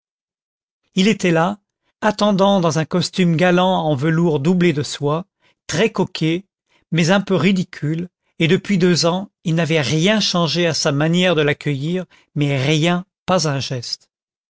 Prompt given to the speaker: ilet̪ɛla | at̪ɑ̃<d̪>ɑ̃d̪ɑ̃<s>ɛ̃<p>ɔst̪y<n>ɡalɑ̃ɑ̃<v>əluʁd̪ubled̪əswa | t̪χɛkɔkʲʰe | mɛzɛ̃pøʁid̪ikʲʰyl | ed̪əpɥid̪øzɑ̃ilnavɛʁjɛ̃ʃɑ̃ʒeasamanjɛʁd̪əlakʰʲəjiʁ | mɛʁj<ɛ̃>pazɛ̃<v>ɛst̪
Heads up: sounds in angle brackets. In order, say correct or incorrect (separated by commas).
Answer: correct, incorrect, incorrect, incorrect, correct, correct, incorrect